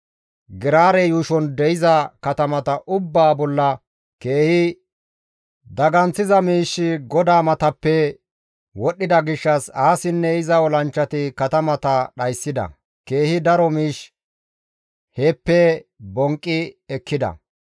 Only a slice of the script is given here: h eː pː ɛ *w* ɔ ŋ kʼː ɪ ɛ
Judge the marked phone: incorrect: b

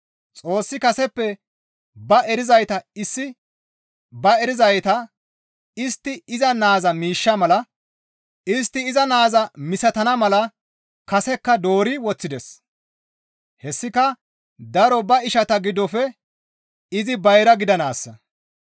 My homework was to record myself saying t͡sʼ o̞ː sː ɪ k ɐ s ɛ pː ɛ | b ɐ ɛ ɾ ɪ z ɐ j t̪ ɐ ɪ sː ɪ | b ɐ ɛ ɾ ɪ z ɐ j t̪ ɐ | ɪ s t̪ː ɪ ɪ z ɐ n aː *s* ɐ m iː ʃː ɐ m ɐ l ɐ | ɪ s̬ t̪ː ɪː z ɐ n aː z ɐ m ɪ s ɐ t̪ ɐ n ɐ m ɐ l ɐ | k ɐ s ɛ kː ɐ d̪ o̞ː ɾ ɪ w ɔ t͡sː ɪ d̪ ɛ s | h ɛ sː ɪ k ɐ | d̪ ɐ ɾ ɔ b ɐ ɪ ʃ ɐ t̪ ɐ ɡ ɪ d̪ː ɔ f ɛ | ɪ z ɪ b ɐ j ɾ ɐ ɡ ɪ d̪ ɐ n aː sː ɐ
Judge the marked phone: incorrect: z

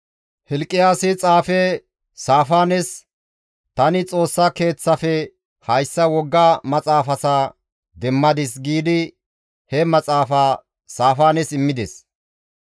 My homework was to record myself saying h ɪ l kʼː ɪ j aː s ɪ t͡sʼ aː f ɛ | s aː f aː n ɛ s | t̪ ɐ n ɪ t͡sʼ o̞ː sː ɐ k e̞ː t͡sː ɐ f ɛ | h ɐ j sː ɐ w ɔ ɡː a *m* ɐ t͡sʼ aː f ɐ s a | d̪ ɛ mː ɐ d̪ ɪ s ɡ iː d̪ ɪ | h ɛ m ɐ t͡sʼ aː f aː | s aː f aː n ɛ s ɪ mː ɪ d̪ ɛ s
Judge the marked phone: correct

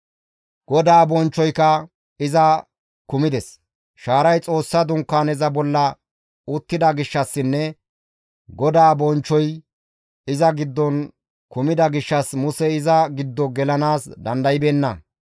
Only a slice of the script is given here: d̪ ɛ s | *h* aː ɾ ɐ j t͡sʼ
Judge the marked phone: incorrect: ʃ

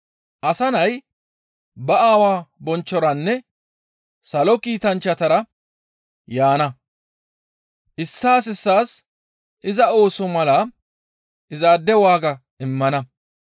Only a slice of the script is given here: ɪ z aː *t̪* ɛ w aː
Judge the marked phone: incorrect: d̪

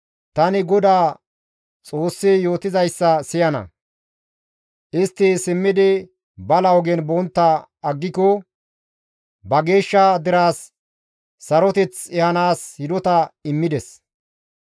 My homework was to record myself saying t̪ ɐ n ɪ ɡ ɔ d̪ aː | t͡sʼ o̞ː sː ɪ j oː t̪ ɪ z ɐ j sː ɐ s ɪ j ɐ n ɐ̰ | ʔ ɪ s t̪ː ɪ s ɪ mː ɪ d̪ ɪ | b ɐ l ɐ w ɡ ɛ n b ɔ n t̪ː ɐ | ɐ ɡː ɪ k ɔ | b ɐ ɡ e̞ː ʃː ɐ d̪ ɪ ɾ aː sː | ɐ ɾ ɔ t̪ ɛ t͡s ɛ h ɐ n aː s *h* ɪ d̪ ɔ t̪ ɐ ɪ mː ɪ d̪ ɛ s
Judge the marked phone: correct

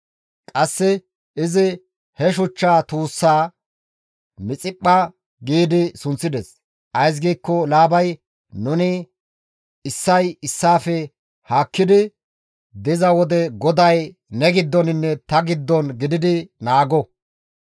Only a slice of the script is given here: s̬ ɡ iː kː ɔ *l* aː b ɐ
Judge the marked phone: correct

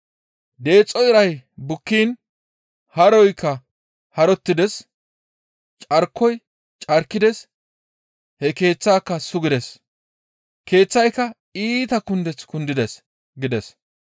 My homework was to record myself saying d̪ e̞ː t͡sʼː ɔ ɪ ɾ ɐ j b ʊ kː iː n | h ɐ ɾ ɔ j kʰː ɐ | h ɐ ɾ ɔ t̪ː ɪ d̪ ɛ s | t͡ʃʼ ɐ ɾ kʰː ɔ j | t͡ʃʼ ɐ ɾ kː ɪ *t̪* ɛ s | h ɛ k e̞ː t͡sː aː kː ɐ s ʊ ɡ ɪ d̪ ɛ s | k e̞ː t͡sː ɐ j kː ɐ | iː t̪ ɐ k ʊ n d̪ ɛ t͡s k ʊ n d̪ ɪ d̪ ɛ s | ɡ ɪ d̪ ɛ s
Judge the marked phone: incorrect: d̪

